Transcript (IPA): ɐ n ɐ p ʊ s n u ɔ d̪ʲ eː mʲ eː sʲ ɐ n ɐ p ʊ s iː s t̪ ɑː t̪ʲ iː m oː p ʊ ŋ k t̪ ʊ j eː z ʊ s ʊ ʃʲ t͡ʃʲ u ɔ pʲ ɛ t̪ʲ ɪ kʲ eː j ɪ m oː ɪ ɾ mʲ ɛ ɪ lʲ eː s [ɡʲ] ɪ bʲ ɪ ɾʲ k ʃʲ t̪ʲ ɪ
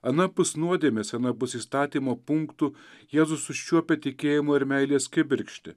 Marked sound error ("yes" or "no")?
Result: yes